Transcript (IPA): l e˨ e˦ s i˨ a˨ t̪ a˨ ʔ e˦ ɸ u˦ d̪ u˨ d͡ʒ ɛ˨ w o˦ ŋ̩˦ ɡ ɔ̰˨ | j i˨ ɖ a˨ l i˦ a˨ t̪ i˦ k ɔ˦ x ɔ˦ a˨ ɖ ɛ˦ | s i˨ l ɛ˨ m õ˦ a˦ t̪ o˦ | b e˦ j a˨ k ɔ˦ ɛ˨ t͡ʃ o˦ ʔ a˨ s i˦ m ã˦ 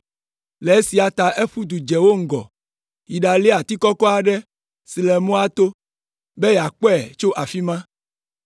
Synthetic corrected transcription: l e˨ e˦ s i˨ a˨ t̪ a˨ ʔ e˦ ɸ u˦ d̪ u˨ d͡ʒ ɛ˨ w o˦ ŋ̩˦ ɡ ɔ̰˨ | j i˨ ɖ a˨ l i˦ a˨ t̪ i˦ k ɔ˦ k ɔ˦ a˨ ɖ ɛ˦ | s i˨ l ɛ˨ m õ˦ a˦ t̪ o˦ | b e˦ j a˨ k͡p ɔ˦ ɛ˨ t͡ʃ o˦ ʔ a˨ f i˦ m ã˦